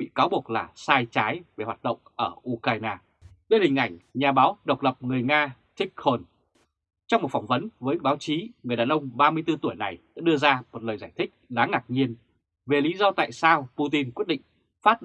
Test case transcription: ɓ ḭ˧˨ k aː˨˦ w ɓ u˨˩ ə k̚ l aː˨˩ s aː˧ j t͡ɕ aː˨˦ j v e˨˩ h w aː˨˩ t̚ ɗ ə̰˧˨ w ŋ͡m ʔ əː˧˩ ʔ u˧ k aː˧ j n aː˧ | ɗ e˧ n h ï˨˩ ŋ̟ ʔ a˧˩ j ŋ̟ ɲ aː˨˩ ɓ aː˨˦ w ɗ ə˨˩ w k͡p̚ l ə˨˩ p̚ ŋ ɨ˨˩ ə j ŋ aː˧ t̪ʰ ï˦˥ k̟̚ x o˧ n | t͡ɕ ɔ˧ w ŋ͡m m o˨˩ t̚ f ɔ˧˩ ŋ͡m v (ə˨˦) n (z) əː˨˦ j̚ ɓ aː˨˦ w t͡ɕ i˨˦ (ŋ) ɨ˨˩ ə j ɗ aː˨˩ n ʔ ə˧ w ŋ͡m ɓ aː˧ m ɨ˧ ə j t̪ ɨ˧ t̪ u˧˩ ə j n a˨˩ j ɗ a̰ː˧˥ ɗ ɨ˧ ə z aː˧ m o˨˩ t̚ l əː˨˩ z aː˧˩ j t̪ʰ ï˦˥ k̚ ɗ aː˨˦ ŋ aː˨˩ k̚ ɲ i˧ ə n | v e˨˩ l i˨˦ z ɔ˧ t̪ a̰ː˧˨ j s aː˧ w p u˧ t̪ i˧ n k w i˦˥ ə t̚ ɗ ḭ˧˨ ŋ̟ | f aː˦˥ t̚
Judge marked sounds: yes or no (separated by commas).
yes, no, yes